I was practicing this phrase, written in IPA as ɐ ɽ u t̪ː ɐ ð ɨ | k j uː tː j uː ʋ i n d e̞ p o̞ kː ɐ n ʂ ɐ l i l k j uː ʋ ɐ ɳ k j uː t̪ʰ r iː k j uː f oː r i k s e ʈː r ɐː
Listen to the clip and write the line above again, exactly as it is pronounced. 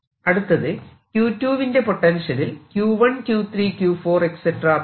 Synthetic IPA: ɐ ɽ u t̪ː ɐ ð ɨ | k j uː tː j uː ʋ i n d e̞ p o̞ ʈː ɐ n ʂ ɐ l i l k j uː ʋ ɐ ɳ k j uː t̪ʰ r iː k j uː f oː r e k s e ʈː r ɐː